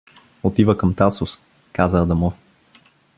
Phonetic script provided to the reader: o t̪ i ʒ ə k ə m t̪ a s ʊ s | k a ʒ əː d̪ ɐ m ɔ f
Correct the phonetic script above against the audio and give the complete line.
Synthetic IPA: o t̪ i v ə k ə m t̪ a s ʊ s | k a z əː d̪ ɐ m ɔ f